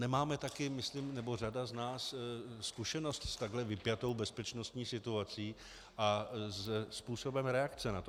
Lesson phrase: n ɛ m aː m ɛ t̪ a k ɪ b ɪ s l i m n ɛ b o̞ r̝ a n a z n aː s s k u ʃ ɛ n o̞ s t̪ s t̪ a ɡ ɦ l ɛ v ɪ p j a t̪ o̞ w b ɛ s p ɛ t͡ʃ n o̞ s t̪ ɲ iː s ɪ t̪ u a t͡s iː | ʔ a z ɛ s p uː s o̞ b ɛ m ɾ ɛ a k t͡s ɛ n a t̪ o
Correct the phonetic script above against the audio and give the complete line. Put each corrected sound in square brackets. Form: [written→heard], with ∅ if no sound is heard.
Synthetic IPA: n ɛ m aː m ɛ t̪ a k ɪ [b→m] ɪ s l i m n ɛ b o̞ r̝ a [n→d] a z n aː s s k u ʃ ɛ n o̞ s t̪ s t̪ a ɡ ɦ l ɛ v ɪ p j a t̪ o̞ w b ɛ s p ɛ t͡ʃ n o̞ s t̪ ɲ iː s ɪ t̪ u a t͡s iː | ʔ a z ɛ s p uː s o̞ b ɛ m ɾ ɛ a k t͡s ɛ n a t̪ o